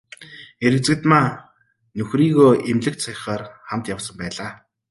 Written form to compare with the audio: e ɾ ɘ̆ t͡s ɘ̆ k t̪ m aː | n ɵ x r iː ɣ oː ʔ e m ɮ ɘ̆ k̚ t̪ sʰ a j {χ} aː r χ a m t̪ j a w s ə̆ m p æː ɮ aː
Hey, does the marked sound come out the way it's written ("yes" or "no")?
yes